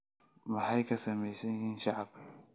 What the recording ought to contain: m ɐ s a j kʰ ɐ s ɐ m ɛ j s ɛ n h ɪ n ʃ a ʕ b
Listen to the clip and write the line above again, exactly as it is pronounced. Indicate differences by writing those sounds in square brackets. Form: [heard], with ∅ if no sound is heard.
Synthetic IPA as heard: m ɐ [ħ] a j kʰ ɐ s ɐ m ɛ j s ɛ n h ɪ n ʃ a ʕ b

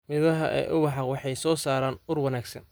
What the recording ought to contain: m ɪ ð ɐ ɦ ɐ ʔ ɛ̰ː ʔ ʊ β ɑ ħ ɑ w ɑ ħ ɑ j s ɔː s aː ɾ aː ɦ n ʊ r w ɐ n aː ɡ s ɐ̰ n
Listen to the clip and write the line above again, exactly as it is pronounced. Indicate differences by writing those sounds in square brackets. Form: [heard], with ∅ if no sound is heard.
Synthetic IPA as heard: m ɪ ð ɐ ɦ ɐ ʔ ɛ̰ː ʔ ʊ [w] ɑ ħ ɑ w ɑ ħ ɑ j s ɔː s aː ɾ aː [∅] n ʊ r w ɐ n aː ɡ s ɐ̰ n

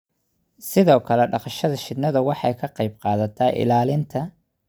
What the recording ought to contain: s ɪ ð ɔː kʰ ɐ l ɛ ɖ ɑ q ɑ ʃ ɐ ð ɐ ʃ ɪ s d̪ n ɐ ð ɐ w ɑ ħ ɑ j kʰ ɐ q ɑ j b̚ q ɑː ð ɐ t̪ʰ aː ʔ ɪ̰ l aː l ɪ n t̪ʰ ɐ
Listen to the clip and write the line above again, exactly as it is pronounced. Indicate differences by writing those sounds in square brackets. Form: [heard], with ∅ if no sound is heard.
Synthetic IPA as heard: s ɪ ð ɔː kʰ ɐ l ɛ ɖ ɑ q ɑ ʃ ɐ ð ɐ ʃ ɪ [∅] d̪ n ɐ ð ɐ w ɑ ħ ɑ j kʰ ɐ q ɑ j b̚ q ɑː ð ɐ t̪ʰ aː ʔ ɪ̰ l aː l ɪ n t̪ʰ ɐ

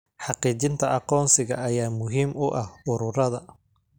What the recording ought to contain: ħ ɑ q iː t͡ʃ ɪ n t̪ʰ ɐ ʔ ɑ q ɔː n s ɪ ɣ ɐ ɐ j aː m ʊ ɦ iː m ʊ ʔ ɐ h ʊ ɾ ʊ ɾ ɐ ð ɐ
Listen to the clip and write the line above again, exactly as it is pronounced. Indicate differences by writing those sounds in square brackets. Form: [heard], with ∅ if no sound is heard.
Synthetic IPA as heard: ħ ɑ q iː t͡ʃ ɪ n t̪ʰ ɐ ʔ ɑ q ɔː n s ɪ ɣ ɐ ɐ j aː m ʊ ɦ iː m ʊ ʔ ɐ h ʊ ɾ ʊ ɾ ɐ ð ɐ

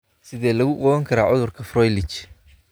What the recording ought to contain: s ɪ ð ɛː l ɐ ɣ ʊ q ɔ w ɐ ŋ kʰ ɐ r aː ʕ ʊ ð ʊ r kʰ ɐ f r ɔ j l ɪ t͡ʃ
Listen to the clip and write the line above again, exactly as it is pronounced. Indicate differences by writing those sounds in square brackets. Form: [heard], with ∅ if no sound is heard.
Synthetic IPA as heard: s ɪ ð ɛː l ɐ ɣ ʊ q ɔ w ɐ ŋ kʰ ɐ [ɾ] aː ʕ ʊ ð ʊ r kʰ ɐ f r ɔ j l ɪ t͡ʃ

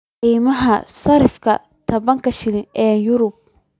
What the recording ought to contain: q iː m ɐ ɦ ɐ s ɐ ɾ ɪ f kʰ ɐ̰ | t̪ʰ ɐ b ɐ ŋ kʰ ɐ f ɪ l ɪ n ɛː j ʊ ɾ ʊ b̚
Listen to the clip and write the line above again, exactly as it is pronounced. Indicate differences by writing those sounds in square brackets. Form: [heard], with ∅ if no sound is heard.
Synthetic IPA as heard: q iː m ɐ ɦ ɐ s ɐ ɾ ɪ f kʰ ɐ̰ | t̪ʰ ɐ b ɐ ŋ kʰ ɐ [ʃ] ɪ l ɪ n ɛː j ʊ ɾ ʊ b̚

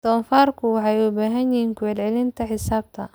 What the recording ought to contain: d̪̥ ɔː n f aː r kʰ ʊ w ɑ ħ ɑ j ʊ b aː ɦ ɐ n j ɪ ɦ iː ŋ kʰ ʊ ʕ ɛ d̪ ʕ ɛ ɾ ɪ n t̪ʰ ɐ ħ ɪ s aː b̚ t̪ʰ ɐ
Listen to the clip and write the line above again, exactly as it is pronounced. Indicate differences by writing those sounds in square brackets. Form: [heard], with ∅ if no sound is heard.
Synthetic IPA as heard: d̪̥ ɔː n f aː r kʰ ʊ w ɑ ħ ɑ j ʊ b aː ɦ ɐ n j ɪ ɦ iː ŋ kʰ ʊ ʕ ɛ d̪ ʕ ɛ [l] ɪ n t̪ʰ ɐ ħ ɪ s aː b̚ t̪ʰ ɐ

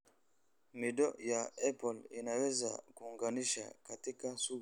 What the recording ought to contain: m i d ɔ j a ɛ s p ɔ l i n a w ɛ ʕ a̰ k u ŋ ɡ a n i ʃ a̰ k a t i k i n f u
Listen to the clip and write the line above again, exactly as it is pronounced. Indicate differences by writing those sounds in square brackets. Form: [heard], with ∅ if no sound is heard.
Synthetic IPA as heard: m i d ɔ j a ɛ [∅] p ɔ l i n a w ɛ [z] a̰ k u ŋ ɡ a n i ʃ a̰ k a t i k [a] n [s] u

